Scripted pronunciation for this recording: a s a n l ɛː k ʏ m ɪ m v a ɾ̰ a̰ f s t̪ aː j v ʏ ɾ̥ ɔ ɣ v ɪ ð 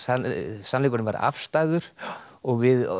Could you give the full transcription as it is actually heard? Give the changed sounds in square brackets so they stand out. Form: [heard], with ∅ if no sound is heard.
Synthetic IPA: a s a n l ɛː k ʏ [n] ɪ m v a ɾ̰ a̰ f s t̪ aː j [ð] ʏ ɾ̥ ɔ ɣ v ɪ ð